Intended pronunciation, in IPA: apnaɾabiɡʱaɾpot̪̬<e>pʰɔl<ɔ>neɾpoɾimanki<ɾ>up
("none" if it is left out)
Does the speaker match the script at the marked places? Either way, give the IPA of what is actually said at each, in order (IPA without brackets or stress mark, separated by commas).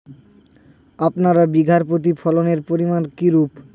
i, o, ɾ